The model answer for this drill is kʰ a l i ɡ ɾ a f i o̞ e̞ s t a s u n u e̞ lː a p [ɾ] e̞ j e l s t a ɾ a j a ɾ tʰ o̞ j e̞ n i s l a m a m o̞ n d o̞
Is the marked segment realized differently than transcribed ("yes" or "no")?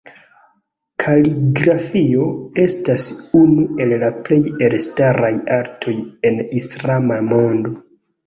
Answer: yes